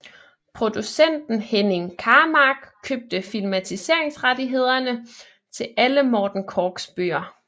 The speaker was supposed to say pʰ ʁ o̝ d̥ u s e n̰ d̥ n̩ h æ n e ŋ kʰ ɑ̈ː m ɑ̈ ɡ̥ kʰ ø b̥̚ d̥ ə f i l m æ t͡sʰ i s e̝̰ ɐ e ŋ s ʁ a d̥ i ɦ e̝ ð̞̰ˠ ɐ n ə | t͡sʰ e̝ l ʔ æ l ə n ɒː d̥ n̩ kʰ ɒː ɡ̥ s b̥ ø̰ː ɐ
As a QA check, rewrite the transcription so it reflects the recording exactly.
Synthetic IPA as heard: pʰ ʁ o̝ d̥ u s e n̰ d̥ n̩ h e n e ŋ kʰ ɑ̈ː m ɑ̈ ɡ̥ kʰ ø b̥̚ d̥ ə f i l m æ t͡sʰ i s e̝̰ ɐ e ŋ s ʁ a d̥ i ɦ e̝ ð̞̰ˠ ɐ n ə | t͡sʰ e̝ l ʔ æ l ə m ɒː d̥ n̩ kʰ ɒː ɡ̥ s b̥ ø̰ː ɐ